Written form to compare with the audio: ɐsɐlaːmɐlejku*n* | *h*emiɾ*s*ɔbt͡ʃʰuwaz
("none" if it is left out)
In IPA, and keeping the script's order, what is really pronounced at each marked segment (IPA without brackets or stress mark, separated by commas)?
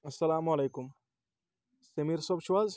m, s, s